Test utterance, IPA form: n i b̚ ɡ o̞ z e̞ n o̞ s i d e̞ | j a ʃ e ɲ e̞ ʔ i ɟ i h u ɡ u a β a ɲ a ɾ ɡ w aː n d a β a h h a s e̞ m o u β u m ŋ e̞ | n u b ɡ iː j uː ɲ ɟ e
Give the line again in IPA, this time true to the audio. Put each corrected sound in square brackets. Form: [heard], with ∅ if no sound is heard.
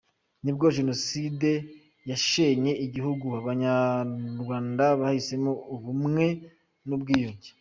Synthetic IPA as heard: n i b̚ ɡ o̞ [ʒ] e̞ n o̞ s i d e̞ | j a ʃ e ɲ e̞ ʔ i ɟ i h u ɡ u a β a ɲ a ɾ ɡ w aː n d a β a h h [i] s e̞ m o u β u m ŋ e̞ | n u b ɡ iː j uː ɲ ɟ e